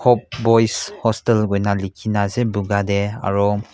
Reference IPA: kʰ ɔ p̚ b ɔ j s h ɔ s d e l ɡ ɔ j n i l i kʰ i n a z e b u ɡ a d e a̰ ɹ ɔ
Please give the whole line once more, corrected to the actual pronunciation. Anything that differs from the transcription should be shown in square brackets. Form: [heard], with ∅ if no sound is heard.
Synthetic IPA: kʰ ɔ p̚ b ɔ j s h ɔ s [t] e l ɡ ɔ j n [a] l i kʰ i n a z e b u ɡ a d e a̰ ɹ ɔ

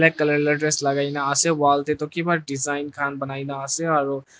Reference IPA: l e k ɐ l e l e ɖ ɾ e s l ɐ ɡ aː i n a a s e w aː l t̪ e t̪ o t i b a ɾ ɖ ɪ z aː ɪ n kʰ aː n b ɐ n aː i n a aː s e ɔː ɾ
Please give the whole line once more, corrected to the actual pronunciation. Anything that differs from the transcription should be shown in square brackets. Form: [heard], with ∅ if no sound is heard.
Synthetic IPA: l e k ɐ l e l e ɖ ɾ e s l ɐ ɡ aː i n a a s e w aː l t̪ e t̪ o [k] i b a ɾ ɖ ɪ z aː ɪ n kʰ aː n b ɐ n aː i n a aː s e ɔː ɾ

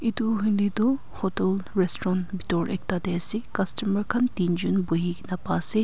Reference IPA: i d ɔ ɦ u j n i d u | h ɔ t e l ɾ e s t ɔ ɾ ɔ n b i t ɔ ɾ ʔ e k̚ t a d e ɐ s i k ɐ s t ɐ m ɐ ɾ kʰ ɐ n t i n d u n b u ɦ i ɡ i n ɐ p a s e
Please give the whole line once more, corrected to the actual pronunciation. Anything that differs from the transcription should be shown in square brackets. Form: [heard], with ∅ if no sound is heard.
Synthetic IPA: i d [u] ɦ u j n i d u | h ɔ t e l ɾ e s t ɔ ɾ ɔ n b i t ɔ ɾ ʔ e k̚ t a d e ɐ s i k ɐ s t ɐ m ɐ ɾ kʰ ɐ n t i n [d͡ʒ] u n b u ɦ i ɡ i n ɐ p a s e

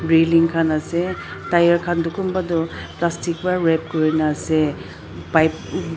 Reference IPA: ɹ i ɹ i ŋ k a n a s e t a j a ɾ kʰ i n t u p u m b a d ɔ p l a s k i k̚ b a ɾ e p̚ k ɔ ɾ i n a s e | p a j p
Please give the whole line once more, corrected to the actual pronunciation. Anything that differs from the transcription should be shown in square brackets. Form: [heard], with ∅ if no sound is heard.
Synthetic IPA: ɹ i [l] i ŋ [kʰ] a n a s e t a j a ɾ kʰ [a] n [d] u [k] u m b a d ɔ p l a s [t] i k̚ b a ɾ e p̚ k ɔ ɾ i n a s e | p a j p

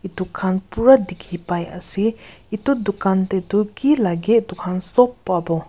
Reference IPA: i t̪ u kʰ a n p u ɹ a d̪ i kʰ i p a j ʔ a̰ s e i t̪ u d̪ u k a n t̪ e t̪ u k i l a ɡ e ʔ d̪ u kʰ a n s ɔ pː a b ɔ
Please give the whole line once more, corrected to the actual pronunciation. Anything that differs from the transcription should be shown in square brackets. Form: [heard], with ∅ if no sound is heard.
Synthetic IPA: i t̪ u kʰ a n p u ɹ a d̪ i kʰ i p a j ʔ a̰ s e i t̪ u d̪ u k a n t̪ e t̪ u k i l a ɡ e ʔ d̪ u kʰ a n s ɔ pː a b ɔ

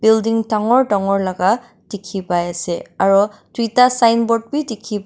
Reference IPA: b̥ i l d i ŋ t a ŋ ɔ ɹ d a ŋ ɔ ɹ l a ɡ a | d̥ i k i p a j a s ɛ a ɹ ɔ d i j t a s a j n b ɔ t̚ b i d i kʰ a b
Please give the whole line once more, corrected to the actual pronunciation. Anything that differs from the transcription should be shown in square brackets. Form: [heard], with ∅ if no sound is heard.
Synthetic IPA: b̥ i l d i ŋ t a ŋ ɔ ɹ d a ŋ ɔ ɹ l a ɡ a | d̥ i [kʰ] i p a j a s ɛ a ɹ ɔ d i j t a s a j n b ɔ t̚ b i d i kʰ [i] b

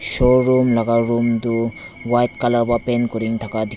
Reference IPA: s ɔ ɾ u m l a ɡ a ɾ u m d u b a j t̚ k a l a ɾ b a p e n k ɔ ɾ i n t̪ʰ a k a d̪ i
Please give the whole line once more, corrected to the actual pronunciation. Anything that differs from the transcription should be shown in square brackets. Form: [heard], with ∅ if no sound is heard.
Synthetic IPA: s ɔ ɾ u m l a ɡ a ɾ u m d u [w] a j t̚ k a l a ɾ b a p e n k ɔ ɾ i [ŋ] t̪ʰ a k a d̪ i

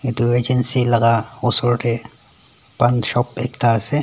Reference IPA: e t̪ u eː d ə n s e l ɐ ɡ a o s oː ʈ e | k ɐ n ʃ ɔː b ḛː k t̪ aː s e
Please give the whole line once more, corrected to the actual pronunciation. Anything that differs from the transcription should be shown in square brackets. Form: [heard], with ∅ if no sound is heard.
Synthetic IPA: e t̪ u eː [d͡ʒ] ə n s [i] l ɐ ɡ a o s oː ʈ e | [p] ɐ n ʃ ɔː [p] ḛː k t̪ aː s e

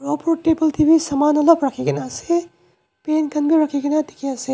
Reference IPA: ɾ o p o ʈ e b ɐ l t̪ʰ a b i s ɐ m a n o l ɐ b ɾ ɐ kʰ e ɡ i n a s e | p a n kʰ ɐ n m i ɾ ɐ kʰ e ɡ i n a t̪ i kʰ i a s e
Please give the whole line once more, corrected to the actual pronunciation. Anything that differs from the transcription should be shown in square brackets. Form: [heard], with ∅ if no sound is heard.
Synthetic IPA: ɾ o p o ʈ e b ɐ l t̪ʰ [i] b i s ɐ m a n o l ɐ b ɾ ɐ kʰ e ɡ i n a s e | p [e] n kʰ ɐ n [b] i ɾ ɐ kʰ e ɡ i n a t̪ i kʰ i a s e

